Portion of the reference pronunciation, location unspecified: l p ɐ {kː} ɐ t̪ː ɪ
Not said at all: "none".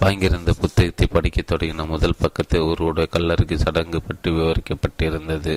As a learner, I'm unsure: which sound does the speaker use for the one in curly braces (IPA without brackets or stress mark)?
kː